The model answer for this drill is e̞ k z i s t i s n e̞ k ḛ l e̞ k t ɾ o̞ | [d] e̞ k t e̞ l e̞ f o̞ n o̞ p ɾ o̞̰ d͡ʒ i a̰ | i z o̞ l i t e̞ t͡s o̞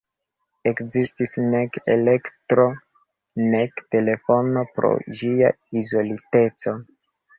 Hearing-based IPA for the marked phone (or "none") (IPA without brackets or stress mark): n